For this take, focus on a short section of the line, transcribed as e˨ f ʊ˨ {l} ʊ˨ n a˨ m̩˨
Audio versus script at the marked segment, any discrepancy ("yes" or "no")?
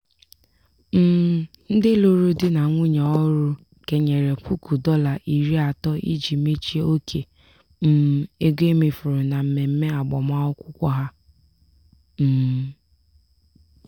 yes